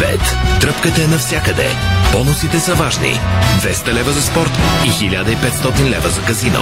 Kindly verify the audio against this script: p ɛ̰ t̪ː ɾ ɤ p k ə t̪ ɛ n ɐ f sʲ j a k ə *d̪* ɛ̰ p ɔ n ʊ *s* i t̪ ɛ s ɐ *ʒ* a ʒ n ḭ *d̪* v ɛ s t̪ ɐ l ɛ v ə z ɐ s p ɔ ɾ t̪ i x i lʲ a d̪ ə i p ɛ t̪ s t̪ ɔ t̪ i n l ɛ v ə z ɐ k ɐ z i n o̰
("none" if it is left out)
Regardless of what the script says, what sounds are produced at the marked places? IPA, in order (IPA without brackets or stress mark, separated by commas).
d̪, s, v, d̪